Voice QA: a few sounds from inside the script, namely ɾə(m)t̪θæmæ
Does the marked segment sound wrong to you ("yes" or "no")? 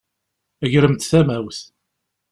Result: no